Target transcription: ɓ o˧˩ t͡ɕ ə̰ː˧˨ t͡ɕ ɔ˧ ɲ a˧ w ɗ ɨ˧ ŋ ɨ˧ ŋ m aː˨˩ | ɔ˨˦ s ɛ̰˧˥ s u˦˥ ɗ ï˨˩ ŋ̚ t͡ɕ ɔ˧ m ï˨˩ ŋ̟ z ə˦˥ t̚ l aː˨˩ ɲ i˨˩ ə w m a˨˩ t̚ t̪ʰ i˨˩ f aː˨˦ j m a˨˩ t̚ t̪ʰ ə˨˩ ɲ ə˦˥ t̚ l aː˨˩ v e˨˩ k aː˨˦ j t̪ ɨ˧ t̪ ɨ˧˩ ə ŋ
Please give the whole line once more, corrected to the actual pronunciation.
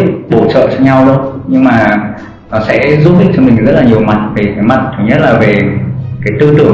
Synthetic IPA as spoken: ɓ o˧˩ t͡ɕ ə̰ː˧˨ t͡ɕ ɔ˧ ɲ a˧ w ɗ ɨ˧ ɲ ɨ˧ ŋ m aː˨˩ | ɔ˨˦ s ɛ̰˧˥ z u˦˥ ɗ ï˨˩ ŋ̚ t͡ɕ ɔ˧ m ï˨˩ ŋ̟ z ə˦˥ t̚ l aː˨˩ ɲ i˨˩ ə w m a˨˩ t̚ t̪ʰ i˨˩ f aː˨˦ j m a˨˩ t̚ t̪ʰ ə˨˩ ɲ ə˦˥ t̚ l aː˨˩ v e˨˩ k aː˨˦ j t̪ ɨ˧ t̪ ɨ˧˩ ə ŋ